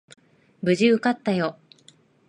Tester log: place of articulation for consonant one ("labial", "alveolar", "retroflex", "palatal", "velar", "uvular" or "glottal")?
labial